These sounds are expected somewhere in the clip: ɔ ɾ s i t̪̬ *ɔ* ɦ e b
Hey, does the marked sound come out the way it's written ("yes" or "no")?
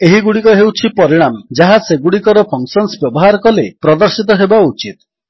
yes